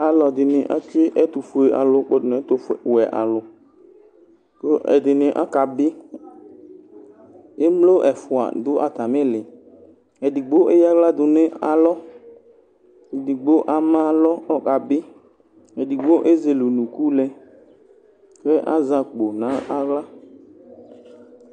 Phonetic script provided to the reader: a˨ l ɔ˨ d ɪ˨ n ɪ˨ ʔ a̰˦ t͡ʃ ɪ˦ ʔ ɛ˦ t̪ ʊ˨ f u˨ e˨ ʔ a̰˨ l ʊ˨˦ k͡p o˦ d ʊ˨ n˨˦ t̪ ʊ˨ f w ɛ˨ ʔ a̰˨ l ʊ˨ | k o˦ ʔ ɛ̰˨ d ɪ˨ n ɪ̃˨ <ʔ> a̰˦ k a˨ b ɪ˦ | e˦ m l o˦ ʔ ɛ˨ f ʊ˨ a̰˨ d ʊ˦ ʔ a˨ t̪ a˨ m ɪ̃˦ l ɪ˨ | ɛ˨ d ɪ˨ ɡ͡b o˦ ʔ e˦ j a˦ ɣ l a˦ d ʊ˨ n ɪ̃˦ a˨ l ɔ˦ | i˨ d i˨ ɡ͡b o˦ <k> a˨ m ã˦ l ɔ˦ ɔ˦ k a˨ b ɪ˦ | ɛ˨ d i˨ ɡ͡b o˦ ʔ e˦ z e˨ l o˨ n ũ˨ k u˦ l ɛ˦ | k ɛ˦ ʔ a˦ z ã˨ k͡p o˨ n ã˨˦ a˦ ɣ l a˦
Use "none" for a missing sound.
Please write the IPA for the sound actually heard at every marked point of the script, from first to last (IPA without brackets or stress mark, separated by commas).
ʔ, ʔ